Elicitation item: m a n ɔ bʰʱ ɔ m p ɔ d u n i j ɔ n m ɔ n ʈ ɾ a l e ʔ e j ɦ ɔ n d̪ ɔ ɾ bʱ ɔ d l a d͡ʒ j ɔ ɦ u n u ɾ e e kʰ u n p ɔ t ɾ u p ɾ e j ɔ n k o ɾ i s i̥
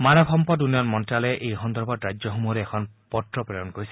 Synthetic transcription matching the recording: m a n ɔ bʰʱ ɔ m p ɔ d u n i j ɔ n m ɔ n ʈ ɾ a l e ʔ e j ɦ ɔ n d̪ ɔ ɾ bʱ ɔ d ɾ a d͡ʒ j ɔ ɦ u m u ɾ e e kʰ ɔ n p ɔ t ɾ ɔ p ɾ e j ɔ n k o ɾ i s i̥